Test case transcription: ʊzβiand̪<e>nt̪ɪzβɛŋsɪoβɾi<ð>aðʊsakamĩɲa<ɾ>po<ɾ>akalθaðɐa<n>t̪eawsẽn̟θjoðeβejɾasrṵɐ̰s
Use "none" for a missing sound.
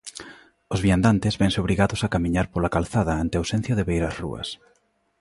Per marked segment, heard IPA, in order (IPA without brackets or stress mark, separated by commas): a, ɣ, ɾ, l, n